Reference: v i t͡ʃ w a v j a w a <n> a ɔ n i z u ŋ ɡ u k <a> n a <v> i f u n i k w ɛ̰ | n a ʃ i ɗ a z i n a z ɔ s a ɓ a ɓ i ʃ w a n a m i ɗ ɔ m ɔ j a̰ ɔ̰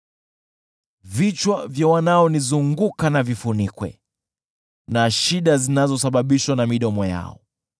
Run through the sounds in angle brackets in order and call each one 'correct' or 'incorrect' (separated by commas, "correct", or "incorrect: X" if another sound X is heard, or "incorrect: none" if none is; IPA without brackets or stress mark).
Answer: correct, correct, correct